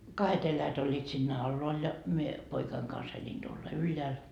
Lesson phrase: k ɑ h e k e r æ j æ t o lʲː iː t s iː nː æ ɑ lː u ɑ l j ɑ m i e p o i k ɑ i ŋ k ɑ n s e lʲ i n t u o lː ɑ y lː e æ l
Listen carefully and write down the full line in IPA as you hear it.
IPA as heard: k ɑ h e t e l æ j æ t o lʲː iː t s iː nː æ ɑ lː o ɑ l j ɑ m i e p o i k ɑ i ŋ k ɑ n s e lʲ i n t u o lː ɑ y lː e æ l

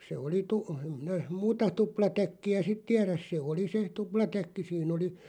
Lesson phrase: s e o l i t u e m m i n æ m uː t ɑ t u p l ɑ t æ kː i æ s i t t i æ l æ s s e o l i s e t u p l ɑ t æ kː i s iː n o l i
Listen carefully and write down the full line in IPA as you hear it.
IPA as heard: s e o l i t u e m m i n æ m uː t ɑ t u p l ɑ t æ kː i æ s i t t i æ r æ s s e o l i s e t u p l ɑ t æ kː i s iː n o l i

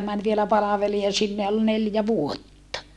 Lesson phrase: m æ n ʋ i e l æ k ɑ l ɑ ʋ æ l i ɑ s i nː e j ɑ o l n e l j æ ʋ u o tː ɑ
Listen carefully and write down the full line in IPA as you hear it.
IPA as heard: m æ n ʋ i e l æ p ɑ l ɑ ʋ e l i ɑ s i nː e j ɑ o l n e l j æ ʋ u o tː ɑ

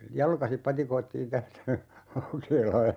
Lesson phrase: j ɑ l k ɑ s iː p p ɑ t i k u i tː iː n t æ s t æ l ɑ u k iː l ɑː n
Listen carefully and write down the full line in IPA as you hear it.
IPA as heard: j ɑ l k ɑ s i p p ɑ t i k o i tː iː n t æ s t æ l ɑ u k eː l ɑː n

